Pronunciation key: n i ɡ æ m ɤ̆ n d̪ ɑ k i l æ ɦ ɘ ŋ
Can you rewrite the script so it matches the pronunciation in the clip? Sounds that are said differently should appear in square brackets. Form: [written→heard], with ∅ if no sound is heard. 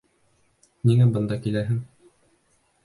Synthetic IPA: n i [ɡ→ŋ] æ [m→b] ɤ̆ n d̪ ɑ k i l æ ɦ ɘ ŋ